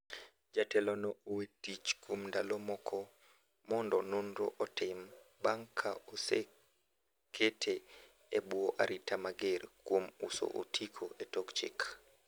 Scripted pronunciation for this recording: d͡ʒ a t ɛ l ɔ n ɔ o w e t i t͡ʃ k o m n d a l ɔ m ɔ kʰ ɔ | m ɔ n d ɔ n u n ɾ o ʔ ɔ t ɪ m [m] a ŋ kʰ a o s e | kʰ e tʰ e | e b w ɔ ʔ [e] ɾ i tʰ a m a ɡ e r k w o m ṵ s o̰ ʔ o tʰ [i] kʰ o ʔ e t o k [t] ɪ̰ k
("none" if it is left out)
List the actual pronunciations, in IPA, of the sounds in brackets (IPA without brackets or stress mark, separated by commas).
b, a, i, t͡ʃ